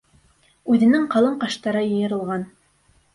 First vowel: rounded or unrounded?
rounded